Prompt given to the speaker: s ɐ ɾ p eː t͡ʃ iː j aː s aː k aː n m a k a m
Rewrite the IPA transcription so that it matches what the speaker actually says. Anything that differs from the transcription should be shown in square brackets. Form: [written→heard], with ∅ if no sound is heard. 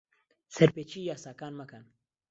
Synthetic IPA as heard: s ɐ ɾ p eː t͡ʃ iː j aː s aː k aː n m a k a [m→n]